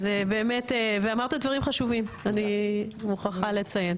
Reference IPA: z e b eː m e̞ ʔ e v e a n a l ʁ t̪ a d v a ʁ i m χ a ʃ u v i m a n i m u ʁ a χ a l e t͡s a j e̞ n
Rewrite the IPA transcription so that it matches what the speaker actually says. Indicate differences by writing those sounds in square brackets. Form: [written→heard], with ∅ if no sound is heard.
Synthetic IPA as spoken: z e b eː m e̞ [ʔ→t] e v e a [n→m] a [l→∅] ʁ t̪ a d v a ʁ i m χ a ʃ u v i m a n i m u [ʁ→χ] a χ a l e t͡s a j e̞ n

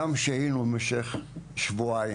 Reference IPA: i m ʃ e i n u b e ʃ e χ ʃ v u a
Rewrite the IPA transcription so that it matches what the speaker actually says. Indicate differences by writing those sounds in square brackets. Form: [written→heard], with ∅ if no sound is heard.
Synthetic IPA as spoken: [i→a] m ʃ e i n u [b→m] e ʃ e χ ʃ v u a

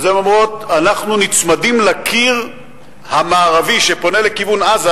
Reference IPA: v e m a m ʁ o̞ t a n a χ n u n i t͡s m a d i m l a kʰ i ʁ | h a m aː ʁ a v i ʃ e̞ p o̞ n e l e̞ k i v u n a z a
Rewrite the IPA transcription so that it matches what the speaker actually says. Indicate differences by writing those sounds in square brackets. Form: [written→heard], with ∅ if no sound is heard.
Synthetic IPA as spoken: [v→z] e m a m ʁ o̞ t a n a χ n u n i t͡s m a d i m l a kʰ i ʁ | h a m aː ʁ a v i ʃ e̞ p o̞ n e l e̞ k i v u n a z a

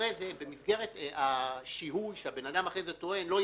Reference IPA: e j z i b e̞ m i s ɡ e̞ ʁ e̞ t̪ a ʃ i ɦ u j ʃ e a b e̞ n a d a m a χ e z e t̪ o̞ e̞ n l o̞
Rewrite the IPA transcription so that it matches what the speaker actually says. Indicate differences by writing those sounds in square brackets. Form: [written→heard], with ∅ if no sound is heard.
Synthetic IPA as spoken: e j z [i→e] b e̞ m i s ɡ e̞ ʁ e̞ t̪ a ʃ i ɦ u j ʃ e a b e̞ n a d a m a χ e z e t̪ o̞ e̞ n l o̞

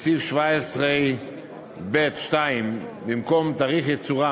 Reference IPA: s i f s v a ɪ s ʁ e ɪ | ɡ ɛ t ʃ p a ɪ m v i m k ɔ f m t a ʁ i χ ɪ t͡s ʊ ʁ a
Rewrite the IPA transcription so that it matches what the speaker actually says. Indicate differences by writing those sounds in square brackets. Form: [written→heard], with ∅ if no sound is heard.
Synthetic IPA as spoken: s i f [s→ʃ] v a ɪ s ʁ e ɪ | [ɡ→b] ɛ t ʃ [p→t] a ɪ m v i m k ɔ [f→∅] m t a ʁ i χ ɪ t͡s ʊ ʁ a

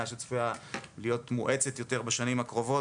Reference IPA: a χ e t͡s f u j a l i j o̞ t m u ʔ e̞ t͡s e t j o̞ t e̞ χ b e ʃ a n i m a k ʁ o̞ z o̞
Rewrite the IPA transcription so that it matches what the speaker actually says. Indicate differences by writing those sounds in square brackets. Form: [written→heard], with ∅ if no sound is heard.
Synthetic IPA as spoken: a [χ→ʃ] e t͡s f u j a l i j o̞ t m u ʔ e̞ t͡s e t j o̞ t e̞ [χ→ʁ] b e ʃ a n i m a k ʁ o̞ [z→v] o̞

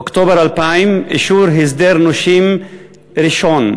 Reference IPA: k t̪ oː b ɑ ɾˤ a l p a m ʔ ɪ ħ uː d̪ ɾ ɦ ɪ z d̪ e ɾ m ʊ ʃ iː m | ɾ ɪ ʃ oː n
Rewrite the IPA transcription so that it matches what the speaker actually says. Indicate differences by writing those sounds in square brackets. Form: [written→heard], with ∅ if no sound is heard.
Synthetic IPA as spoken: k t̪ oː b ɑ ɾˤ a l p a m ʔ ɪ [ħ→ʃ] uː [d̪→∅] ɾ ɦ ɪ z d̪ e ɾ [m→n] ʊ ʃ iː m | ɾ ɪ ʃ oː n

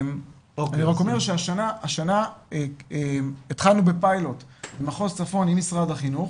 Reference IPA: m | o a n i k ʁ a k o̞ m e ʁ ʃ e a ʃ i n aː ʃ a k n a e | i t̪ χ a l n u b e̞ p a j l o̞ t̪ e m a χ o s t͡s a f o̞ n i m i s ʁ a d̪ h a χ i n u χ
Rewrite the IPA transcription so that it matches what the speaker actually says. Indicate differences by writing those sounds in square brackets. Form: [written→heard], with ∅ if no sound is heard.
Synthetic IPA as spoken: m | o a n i [k→∅] ʁ a k o̞ m e ʁ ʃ e a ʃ [i→a] n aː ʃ a [k→∅] n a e | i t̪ χ a l n u b e̞ p a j l o̞ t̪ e m a χ o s t͡s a f o̞ n i m i s ʁ a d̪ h a χ i n u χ

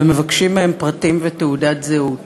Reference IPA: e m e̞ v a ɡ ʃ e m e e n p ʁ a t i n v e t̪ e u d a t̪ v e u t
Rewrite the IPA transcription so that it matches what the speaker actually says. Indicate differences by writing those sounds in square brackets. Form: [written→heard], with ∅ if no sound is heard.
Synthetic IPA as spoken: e m e̞ v a [ɡ→k] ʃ [e→i] m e e [n→m] p ʁ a t i [n→m] v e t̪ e u d a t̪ [v→z] e u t

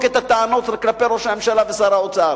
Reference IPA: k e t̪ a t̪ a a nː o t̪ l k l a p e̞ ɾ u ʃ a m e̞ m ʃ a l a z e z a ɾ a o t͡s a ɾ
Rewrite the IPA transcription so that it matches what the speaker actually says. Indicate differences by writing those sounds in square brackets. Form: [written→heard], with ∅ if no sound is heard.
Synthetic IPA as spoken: k e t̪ a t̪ a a [nː→n] o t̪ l k l a p e̞ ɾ [u→o] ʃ a m e̞ m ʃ a l a [z→v] e [z→s] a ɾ a o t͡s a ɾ

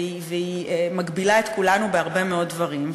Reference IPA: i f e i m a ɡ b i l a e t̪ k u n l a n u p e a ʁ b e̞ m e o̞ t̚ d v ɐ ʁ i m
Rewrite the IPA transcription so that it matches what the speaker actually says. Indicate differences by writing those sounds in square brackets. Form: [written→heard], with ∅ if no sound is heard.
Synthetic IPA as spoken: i [f→v] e i m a ɡ b i l a e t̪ k u [n→∅] l a n u [p→b] e a ʁ b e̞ m e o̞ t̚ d v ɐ ʁ i m

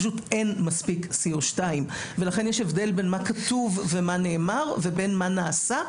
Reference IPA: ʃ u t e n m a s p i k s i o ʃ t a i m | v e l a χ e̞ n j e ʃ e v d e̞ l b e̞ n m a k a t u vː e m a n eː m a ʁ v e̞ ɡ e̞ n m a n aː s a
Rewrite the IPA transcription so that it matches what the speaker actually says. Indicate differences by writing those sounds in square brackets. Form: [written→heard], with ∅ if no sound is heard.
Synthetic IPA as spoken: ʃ u t e n m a s p i k s i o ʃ t a i m | v e l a χ e̞ n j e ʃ e v d e̞ l b e̞ n m a k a t u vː e m a n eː m a ʁ v e̞ [ɡ→b] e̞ n m a n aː s a

